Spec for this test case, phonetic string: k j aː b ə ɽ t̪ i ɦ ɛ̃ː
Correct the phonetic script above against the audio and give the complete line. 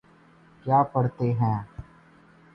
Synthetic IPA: k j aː p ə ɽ t̪ e ɦ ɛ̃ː

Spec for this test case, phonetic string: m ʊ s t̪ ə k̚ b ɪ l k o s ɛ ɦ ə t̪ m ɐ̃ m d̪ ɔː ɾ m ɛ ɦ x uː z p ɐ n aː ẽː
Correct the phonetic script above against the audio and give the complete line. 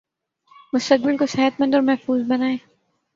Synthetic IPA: m ʊ s t̪ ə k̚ b ɪ l k o s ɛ ɦ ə t̪ m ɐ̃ n d̪ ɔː ɾ m ɛ ɦ f uː z b ɐ n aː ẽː

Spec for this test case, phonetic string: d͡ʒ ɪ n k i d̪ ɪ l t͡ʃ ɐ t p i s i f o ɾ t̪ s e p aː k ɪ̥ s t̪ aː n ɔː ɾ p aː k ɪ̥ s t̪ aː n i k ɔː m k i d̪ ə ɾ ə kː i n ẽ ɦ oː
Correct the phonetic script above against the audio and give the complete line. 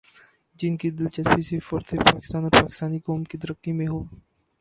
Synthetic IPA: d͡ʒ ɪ n k i d̪ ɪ l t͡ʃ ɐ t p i s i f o ɾ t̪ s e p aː k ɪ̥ s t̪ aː n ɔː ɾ p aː k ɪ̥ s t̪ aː n i k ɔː m k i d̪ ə ɾ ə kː i m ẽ ɦ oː

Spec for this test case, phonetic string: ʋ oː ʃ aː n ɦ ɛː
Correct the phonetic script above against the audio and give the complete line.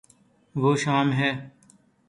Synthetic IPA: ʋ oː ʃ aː m ɦ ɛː

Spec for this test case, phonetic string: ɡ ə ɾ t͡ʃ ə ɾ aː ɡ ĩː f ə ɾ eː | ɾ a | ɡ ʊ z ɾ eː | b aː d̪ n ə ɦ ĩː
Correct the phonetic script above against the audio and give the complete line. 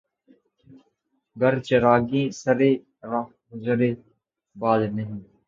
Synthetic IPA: ɡ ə ɾ t͡ʃ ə ɾ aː ɡ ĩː s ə ɾ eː | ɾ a | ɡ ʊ z ɾ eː | b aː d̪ n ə ɦ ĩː

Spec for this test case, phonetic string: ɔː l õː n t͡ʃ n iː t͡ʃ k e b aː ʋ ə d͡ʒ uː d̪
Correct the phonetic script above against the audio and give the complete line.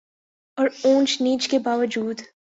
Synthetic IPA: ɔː ɾ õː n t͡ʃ n iː t͡ʃ k e b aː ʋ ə d͡ʒ uː d̪

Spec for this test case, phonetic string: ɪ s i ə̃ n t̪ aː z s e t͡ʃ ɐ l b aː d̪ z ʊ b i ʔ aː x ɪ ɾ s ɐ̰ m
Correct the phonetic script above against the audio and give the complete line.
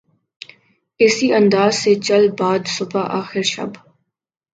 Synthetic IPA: ɪ s i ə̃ n d̪ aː z s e t͡ʃ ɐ l b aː d̪ s ʊ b a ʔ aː x ɪ ɾ ʃ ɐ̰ b

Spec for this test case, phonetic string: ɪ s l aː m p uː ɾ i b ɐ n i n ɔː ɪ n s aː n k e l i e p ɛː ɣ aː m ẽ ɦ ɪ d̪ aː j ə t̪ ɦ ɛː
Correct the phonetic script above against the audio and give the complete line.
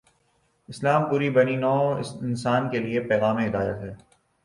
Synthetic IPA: ɪ s l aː m p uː ɾ i b ɐ n i n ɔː ɪ n s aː n k e l i e p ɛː ɣ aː m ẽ ɦ ɪ d̪ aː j ə t̪ ɦ ɛː

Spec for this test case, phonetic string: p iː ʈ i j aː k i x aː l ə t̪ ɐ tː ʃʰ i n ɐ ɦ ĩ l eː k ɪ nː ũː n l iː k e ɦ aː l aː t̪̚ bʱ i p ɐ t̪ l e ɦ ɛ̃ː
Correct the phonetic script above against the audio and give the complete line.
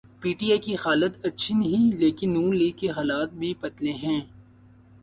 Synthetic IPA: p iː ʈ i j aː k i x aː l ə t̪ ɐ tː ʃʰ i n ɐ ɦ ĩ l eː k ɪ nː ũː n l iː k e ɦ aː l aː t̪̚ bʱ i p ɐ t̪ l e ɦ ɛ̃ː

